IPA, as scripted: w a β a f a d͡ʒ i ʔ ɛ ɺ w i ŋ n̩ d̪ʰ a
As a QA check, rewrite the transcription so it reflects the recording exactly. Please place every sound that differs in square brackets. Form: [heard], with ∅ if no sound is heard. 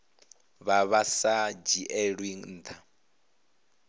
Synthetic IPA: [β] a β a [s] a d͡ʒ i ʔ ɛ ɺ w i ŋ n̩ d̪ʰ a